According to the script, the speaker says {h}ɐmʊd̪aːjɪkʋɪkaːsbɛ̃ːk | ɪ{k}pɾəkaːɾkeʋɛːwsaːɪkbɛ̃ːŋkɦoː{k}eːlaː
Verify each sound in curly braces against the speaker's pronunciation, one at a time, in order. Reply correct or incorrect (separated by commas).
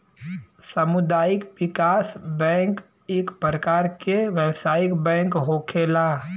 incorrect, correct, incorrect